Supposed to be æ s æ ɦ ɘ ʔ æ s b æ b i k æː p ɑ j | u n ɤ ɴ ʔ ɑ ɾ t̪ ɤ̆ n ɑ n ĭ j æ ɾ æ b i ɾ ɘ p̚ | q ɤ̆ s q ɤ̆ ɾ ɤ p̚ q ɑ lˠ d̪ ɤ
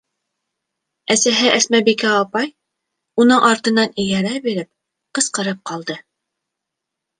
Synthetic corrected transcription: æ s æ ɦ ɘ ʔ æ s m æ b i k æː p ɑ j | u n ɤ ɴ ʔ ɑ ɾ t̪ ɤ̆ n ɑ n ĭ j æ ɾ æ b i ɾ ɘ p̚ | q ɤ̆ s q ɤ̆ ɾ ɤ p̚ q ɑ lˠ d̪ ɤ

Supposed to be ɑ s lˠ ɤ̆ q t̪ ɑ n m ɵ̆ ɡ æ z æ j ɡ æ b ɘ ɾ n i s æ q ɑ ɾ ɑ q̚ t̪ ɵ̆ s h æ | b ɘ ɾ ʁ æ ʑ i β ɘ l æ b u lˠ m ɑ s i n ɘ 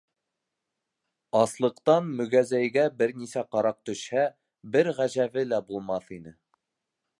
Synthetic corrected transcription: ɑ s lˠ ɤ̆ q t̪ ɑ n m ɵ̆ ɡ æ z æ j ɡ æ b ɘ ɾ n i s æ q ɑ ɾ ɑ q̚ t̪ ɵ̆ ʃ h æ | b ɘ ɾ ʁ æ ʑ æ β ɘ l æ b u lˠ m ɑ θ i n ɘ

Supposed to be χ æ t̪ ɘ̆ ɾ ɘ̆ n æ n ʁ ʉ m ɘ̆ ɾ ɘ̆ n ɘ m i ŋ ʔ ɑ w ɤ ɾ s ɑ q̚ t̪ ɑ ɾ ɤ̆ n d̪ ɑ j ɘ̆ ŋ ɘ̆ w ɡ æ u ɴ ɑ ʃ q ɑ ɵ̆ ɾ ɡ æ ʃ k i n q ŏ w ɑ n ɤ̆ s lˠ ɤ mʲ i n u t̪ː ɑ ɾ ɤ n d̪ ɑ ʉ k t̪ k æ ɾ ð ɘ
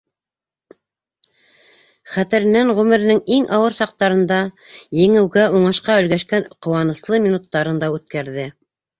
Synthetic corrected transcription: χ æ t̪ ɘ̆ ɾ ɘ̆ n æ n ʁ ʉ m ɘ̆ ɾ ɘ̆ n ɘ ŋ i ŋ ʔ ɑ w ɤ ɾ s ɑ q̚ t̪ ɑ ɾ ɤ̆ n d̪ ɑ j ɘ̆ ŋ ɘ̆ w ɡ æ u ɴ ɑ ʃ q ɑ ɵ̆ l ɡ æ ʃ k æ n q ŏ w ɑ n ɤ̆ s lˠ ɤ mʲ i n u t̪ː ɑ ɾ ɤ n d̪ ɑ ʉ t̪ k æ ɾ ð ɘ

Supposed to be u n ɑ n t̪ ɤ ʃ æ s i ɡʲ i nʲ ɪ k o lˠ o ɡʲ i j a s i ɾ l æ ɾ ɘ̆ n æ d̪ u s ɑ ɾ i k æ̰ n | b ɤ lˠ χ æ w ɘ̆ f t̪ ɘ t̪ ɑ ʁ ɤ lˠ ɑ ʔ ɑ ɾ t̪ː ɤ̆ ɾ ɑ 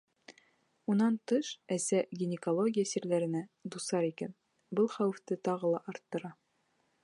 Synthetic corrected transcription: u n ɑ n t̪ ɤ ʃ æ s æ ɡʲ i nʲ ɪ k o lˠ o ɡʲ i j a s i ɾ l æ ɾ ɘ̆ n æ d̪ u s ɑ ɾ i k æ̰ n | b ɤ lˠ χ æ w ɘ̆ f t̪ ɘ t̪ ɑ ʁ ɤ lˠ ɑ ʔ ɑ ɾ t̪ː ɤ̆ ɾ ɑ

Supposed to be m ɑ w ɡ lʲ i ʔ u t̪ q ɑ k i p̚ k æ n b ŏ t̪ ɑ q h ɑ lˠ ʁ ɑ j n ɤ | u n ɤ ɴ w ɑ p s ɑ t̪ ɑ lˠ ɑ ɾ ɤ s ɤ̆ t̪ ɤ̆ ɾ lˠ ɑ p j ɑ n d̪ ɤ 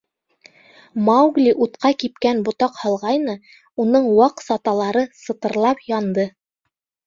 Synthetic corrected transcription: m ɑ w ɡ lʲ i ʔ u t̪ q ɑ k i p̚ k æ n b ŏ t̪ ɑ q h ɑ lˠ ʁ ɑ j n ɤ | u n ɤ ɴ w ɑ q s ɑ t̪ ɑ lˠ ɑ ɾ ɤ s ɤ̆ t̪ ɤ̆ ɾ lˠ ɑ p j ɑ n d̪ ɤ

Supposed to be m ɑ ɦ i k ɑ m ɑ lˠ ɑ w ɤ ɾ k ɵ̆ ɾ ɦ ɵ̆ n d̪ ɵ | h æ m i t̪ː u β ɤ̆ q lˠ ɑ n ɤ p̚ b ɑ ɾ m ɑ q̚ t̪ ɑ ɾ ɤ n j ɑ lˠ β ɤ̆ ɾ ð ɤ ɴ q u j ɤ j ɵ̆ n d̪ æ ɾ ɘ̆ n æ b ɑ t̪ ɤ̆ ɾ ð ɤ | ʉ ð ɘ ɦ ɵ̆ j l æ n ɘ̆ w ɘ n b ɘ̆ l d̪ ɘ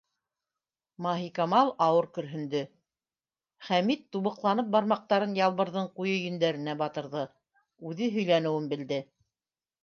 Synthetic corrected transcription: m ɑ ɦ i k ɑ m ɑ lˠ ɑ w ɤ ɾ k ɵ̆ ɾ ɦ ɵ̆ n d̪ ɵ | χ æ m i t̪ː u β ɤ̆ q lˠ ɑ n ɤ p̚ b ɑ ɾ m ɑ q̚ t̪ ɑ ɾ ɤ n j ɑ lˠ β ɤ̆ ɾ ð ɤ ɴ q u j ɤ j ɵ̆ n d̪ æ ɾ ɘ̆ n æ b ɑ t̪ ɤ̆ ɾ ð ɤ | ʉ ð ɘ ɦ ɵ̆ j l æ n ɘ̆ w ɘ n b ɘ̆ l d̪ ɘ

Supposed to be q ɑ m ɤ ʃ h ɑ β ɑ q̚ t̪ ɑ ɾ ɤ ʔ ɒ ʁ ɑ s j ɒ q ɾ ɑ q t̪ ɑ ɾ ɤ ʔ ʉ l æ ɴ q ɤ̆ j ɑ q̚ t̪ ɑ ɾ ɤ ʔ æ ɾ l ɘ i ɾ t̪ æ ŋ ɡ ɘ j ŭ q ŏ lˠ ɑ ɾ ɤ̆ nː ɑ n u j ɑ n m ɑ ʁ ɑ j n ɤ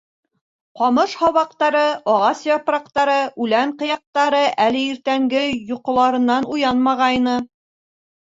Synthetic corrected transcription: q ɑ m ɤ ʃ h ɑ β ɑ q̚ t̪ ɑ ɾ ɤ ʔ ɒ ʁ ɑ s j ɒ p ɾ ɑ q t̪ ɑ ɾ ɤ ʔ ʉ l æ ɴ q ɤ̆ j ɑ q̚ t̪ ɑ ɾ ɤ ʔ æ l ɘ i ɾ t̪ æ ŋ ɡ ɘ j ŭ q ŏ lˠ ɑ ɾ ɤ̆ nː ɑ n u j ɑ n m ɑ ʁ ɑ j n ɤ

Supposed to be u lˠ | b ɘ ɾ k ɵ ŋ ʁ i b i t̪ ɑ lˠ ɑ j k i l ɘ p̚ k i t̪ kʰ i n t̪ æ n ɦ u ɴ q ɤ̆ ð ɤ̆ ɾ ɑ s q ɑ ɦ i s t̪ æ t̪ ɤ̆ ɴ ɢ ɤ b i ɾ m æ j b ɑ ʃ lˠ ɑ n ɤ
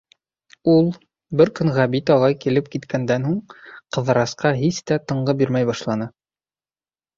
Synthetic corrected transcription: u lˠ | b ɘ ɾ k ɵ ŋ ʁ æ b i t̪ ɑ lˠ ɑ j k i l ɘ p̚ k i t̪ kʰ æ n d̪ æ n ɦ u ɴ q ɤ̆ ð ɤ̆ ɾ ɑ s q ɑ ɦ i s t̪ æ t̪ ɤ̆ ɴ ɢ ɤ b i ɾ m æ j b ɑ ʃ lˠ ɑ n ɤ

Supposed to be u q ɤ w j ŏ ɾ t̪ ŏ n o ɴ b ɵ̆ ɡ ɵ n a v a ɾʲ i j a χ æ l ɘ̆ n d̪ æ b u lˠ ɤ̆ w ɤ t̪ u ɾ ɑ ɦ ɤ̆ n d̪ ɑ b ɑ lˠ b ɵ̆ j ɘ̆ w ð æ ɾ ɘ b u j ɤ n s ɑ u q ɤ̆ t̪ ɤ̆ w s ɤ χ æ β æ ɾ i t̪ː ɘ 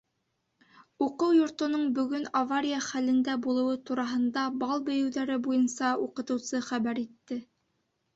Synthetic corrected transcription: u q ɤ w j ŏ ɾ t̪ ŏ n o ɴ b ɵ̆ ɡ ɵ n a v a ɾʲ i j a χ æ l ɘ̆ n d̪ æ b u lˠ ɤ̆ w ɤ t̪ u ɾ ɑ ɦ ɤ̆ n d̪ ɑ b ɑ lˠ b ɵ̆ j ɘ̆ w ð æ ɾ ɘ b u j ɤ n s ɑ u q ɤ̆ t̪ ɤ̆ w s ɤ χ æ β æ ɾ i t̪ː ɘ

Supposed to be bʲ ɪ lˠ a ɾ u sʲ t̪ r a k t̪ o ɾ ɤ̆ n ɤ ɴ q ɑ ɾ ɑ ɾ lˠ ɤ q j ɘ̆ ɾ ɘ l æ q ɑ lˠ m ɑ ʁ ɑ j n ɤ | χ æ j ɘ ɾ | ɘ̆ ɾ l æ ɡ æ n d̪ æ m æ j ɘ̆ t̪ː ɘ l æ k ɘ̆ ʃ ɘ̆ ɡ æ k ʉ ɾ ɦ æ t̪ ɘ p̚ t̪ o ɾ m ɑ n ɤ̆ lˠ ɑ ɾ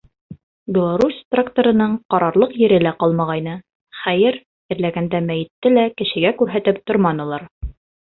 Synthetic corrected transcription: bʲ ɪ lˠ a ɾ u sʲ t̪ r a k t̪ o ɾ ɤ̆ n ɤ ɴ q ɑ ɾ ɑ ɾ lˠ ɤ q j ɘ̆ ɾ ɘ l æ q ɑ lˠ m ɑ ʁ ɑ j n ɤ | χ æ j ɘ ɾ | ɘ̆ ɾ l æ ɡ æ n d̪ æ m æ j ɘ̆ t̪ː ɘ l æ k ɘ̆ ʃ ɘ̆ ɡ æ k ʉ ɾ ɦ æ t̪ ɘ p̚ t̪ o ɾ m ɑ n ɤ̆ lˠ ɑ ɾ

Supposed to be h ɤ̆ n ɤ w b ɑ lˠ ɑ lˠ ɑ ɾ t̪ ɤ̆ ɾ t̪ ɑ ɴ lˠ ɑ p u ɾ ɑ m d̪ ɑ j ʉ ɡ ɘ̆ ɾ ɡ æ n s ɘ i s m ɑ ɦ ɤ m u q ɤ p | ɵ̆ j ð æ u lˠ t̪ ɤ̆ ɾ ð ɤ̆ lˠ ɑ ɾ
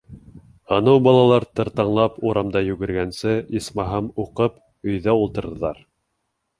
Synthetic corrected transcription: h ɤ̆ n ɤ w b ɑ lˠ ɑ lˠ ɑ ɾ t̪ ɤ̆ ɾ t̪ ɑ ɴ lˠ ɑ p u ɾ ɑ m d̪ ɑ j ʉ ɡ ɘ̆ ɾ ɡ æ n s ɘ i s m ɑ ɦ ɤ m u q ɤ p | ɵ̆ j ð æ u lˠ t̪ ɤ̆ ɾ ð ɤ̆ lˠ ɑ ɾ

